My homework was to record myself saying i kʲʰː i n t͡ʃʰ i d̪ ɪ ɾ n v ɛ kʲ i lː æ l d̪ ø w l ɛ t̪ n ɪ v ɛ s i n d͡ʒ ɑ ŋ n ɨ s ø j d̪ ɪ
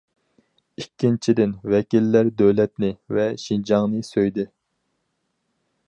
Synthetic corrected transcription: i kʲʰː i n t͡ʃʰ i d̪ ɪ n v ɛ kʲ i lː æ ɾ d̪ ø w l ɛ t̪ n ɪ v ɛ ʃ i n d͡ʒ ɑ ŋ n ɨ s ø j d̪ ɪ